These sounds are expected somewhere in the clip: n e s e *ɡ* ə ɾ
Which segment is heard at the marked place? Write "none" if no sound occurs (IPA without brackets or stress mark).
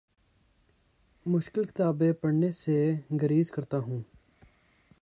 ɡ